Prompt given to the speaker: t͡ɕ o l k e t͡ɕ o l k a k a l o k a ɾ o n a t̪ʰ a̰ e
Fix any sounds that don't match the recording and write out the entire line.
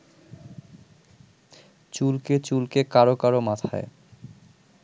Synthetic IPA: t͡ɕ u l k e t͡ɕ u l k e k a ɾ o k a ɾ o m a t̪ʰ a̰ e